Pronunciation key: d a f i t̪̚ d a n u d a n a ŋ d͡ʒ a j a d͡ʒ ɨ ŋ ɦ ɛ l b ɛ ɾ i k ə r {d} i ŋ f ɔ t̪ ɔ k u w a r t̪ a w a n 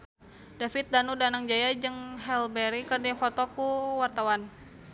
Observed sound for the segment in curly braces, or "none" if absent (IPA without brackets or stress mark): d